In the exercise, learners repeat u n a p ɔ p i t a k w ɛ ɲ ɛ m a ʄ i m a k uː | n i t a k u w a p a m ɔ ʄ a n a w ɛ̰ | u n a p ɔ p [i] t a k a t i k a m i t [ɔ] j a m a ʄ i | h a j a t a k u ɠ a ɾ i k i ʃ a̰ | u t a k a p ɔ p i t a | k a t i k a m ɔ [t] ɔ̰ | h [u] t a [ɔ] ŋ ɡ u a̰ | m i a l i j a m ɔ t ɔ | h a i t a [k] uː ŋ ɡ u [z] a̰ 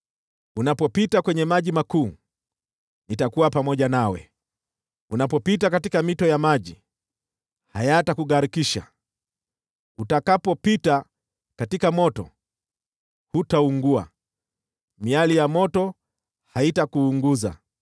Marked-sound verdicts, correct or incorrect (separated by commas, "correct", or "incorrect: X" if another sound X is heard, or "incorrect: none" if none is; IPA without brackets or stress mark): correct, correct, correct, correct, incorrect: u, correct, correct